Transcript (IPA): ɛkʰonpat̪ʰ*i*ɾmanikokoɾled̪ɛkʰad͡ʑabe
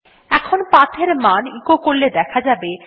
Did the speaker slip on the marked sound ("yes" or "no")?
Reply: yes